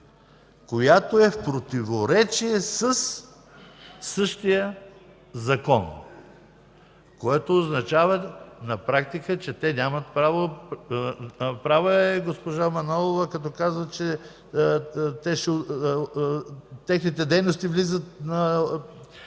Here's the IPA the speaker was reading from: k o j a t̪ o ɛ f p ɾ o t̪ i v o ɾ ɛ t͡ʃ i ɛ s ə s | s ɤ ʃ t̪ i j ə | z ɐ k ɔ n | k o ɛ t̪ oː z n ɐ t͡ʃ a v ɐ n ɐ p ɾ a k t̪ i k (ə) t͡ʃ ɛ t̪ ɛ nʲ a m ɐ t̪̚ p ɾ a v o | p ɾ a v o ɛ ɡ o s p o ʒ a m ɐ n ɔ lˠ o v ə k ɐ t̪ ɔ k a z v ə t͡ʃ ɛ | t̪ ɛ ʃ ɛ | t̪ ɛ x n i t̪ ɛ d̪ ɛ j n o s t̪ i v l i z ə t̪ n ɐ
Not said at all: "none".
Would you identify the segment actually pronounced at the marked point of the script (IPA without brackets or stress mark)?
ə